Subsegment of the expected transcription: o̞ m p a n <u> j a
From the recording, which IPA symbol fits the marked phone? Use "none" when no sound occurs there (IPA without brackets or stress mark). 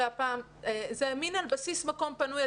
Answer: u